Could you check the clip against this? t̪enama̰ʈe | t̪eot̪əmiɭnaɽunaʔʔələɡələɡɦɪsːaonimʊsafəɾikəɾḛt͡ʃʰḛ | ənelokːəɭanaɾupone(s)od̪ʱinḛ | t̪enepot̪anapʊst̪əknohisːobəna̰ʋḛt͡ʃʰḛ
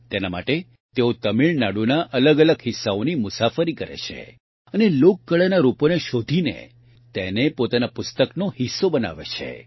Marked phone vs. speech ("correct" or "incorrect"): incorrect